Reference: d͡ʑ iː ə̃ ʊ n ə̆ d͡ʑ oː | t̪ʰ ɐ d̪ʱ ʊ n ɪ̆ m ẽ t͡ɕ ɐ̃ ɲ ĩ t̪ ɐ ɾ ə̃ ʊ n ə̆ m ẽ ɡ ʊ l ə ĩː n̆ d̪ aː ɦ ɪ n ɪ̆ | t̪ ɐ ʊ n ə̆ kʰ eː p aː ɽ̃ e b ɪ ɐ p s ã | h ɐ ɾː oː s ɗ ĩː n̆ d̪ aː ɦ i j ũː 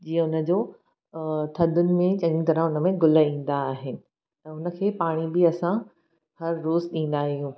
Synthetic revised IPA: d͡ʑ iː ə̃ ʊ n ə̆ d͡ʑ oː | t̪ʰ ɐ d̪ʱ ʊ n ɪ̆ m ẽ t͡ɕ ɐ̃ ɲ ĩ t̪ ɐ ɾ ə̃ ʊ n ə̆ m ẽ ɡ ʊ l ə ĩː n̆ d̪ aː ɦ ɪ n ɪ̆ | t̪ ɐ ʊ n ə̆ kʰ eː p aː ɽ̃ i b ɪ ɐ s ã | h ɐ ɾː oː z ɗ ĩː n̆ d̪ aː ɦ i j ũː